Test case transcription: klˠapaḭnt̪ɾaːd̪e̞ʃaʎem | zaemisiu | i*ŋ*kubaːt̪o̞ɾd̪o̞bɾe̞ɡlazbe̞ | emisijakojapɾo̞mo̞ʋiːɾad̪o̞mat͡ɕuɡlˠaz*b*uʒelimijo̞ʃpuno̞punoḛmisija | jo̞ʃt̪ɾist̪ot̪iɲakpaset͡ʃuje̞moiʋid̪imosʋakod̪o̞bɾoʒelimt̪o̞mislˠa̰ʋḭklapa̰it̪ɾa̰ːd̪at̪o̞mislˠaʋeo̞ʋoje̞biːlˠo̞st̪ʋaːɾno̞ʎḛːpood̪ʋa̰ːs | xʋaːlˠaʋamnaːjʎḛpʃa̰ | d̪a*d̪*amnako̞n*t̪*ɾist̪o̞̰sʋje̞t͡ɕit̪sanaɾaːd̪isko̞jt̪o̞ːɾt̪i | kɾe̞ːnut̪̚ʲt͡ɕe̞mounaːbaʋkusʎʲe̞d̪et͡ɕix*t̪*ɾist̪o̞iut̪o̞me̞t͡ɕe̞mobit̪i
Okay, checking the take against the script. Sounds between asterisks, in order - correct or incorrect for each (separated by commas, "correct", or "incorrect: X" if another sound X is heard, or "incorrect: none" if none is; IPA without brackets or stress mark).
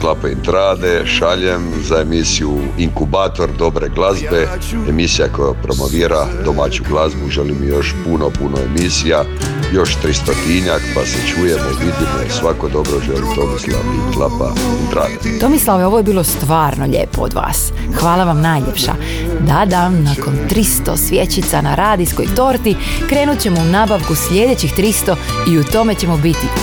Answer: correct, correct, correct, correct, correct